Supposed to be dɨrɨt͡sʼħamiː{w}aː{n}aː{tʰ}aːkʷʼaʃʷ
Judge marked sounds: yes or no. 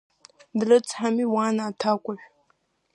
yes, yes, yes

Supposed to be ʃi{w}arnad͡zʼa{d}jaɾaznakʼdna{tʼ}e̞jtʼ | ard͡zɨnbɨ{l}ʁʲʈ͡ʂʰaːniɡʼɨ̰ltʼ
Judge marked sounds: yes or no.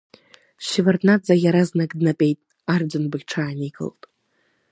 no, no, no, no

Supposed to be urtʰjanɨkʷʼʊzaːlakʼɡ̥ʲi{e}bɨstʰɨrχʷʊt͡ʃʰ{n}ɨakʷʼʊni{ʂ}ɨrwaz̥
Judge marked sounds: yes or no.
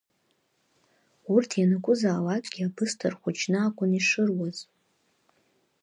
no, yes, yes

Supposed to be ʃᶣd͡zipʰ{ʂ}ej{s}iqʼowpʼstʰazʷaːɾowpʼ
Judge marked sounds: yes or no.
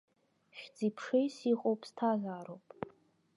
yes, yes

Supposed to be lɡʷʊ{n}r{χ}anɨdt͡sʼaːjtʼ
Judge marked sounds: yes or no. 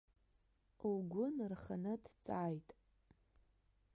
yes, yes

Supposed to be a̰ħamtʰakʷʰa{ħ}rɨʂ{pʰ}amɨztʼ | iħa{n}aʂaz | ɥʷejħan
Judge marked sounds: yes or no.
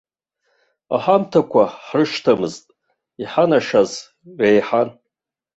yes, no, yes

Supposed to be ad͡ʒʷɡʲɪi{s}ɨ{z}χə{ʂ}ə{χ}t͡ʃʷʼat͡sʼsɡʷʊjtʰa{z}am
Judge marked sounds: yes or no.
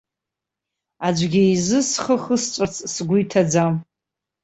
no, no, no, no, no

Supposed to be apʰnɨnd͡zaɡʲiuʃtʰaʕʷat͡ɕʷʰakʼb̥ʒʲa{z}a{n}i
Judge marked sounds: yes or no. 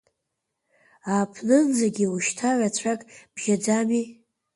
no, no

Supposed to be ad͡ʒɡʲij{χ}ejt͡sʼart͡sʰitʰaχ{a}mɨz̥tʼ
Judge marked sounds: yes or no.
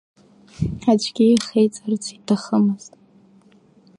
yes, no

